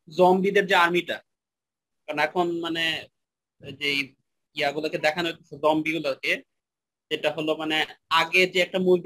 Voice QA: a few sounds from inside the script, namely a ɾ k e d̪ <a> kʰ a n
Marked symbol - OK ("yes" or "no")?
no